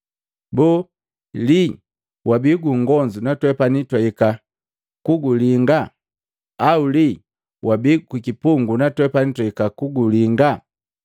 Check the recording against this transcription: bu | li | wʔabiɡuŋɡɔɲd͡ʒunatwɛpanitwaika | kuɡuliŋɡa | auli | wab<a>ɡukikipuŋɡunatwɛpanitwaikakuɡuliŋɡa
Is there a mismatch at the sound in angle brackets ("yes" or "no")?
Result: yes